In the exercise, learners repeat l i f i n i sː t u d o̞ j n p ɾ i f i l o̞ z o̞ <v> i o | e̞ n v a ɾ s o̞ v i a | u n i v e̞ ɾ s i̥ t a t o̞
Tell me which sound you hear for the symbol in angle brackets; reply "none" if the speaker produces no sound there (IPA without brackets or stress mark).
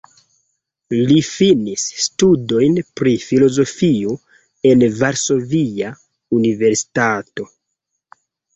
f